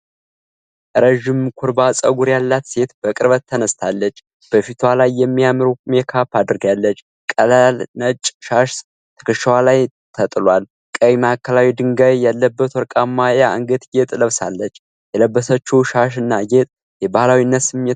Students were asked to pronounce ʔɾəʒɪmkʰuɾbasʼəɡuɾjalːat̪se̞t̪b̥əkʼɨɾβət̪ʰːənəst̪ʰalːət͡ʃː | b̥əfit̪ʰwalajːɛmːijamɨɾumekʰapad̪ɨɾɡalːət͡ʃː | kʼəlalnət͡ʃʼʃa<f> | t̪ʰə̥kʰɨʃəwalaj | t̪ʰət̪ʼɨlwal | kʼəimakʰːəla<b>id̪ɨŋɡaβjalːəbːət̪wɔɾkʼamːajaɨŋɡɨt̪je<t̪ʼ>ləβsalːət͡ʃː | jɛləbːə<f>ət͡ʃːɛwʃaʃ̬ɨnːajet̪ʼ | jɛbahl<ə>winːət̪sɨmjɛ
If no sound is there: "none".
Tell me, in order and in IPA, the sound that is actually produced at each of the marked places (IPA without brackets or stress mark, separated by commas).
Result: ʃ, w, t̪ʼ, s, a